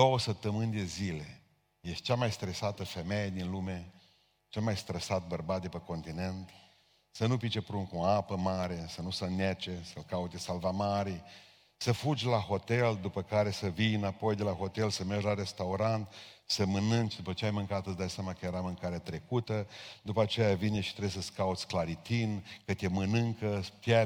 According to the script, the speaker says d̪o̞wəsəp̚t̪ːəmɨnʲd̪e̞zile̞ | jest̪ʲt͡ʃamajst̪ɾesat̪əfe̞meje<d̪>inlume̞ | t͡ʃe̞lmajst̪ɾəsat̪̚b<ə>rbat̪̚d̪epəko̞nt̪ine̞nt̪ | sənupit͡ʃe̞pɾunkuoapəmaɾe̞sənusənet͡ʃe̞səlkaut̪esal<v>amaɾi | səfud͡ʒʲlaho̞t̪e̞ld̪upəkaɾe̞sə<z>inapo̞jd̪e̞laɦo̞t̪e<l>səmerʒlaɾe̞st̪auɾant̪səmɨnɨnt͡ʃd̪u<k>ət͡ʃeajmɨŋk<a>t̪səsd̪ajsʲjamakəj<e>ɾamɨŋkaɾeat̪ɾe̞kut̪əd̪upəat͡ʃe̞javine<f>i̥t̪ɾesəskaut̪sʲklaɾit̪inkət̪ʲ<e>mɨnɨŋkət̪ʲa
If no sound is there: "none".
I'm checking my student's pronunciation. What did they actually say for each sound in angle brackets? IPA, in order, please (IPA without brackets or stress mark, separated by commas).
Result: d̪, ə, v, v, l, p, a, e, ʃ, e